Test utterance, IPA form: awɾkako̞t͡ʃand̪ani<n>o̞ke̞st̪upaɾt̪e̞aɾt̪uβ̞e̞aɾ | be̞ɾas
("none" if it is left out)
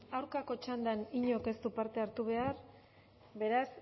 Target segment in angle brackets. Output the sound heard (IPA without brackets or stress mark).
ɲ